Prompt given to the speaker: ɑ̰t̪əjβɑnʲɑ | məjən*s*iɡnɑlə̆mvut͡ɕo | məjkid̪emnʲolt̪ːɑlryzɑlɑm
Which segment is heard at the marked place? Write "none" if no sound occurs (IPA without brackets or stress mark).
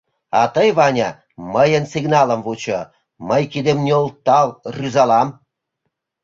s